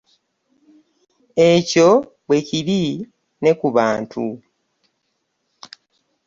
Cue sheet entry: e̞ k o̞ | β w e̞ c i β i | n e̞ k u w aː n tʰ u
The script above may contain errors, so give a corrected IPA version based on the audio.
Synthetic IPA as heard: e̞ c o̞ | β w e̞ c i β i | n e̞ k u β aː n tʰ u